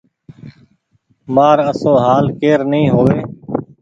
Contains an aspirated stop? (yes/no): no